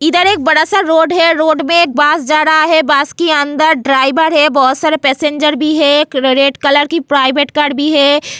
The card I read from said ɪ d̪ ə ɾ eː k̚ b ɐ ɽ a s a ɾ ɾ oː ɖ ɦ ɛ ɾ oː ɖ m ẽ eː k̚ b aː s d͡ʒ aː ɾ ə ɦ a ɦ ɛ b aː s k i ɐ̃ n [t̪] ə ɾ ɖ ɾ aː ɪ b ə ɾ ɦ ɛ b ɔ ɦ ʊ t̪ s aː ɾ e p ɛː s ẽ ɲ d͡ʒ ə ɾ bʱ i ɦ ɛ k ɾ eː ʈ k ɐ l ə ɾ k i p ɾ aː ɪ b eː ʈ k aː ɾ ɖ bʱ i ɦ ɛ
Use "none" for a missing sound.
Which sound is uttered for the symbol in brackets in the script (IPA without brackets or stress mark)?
d̪